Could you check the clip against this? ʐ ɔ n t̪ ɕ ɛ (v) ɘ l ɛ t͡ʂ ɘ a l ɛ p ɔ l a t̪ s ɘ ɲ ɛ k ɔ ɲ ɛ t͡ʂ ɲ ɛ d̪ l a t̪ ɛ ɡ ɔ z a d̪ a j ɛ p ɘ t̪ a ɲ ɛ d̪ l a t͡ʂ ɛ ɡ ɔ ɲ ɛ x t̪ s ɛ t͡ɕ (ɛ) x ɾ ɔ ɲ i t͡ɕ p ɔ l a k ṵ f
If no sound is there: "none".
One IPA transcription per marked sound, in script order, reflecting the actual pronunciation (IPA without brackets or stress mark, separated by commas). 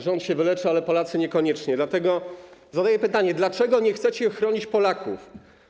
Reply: v, ɛ